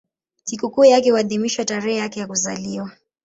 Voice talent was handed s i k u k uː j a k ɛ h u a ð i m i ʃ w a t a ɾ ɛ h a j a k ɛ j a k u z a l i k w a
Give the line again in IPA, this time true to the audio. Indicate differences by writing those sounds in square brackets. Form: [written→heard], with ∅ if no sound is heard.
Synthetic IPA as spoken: s i k u k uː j a k ɛ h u a ð i m i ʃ w a t a ɾ ɛ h [a→ɛ] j a k ɛ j a k u z a l i [k→∅] w a